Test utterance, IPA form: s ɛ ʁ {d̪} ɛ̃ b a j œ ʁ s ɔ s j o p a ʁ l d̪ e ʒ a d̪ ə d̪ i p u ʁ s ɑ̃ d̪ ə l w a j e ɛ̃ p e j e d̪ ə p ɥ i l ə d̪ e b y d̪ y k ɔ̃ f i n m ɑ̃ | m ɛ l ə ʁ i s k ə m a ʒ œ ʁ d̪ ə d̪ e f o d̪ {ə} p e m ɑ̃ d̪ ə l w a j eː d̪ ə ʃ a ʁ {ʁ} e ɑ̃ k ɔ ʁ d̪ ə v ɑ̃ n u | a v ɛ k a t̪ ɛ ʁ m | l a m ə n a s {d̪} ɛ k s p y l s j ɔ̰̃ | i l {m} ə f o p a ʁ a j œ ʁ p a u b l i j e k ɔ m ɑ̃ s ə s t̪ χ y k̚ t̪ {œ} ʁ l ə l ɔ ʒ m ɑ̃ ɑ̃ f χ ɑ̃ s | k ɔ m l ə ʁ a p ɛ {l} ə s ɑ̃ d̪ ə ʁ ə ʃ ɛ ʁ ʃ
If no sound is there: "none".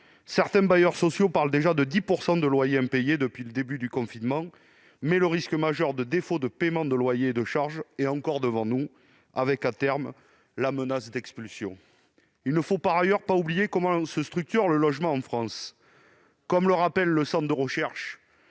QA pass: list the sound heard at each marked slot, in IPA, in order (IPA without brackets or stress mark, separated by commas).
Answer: t̪, ə, ʒ, d̪, n, y, lː